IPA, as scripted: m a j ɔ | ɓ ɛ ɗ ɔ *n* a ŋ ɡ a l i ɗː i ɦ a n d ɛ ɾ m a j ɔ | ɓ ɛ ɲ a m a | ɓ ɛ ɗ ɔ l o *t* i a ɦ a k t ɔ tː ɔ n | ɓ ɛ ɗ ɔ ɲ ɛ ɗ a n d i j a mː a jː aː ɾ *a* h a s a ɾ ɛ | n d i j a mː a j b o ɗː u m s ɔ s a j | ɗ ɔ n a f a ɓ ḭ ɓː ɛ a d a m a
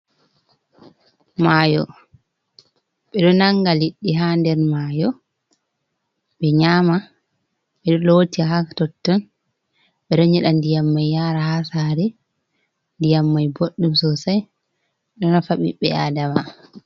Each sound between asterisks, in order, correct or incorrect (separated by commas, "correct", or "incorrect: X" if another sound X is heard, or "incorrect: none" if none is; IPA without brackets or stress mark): correct, correct, correct